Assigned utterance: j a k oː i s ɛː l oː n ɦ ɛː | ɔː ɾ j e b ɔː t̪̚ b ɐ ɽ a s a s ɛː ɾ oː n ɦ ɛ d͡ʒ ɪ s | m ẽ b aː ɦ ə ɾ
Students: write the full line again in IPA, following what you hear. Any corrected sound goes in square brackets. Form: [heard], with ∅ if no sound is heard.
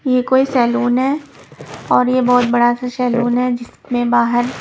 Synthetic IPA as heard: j [e] k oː i s ɛː l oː n ɦ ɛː | ɔː ɾ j e b ɔː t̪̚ b ɐ ɽ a s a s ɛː [l] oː n ɦ ɛ d͡ʒ ɪ s | m ẽ b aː ɦ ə ɾ